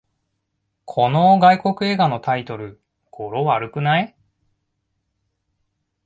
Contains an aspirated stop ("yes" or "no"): yes